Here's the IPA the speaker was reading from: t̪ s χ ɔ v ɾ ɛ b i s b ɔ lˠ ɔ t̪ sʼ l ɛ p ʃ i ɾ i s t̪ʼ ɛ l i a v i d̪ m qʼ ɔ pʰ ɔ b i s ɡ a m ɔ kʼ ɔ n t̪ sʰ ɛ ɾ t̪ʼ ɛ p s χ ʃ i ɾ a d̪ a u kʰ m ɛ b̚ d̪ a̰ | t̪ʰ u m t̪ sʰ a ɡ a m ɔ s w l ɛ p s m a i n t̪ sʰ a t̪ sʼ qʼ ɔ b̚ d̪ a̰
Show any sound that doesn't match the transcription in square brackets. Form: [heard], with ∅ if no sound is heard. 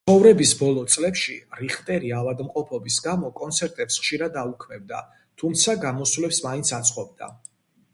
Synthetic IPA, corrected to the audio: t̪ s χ ɔ v ɾ ɛ b i s b ɔ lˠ ɔ t̪ sʼ l ɛ p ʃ i ɾ i [χ] t̪ʼ ɛ [ɾ] i a v [a] d̪ m qʼ ɔ pʰ ɔ b i s ɡ a m ɔ kʼ ɔ n t̪ sʰ ɛ ɾ t̪ʼ ɛ p s χ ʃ i ɾ a d̪ a u kʰ m ɛ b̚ d̪ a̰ | t̪ʰ u m t̪ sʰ a ɡ a m ɔ s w l ɛ p s m a i n t̪ sʰ a t̪ sʼ qʼ ɔ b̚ d̪ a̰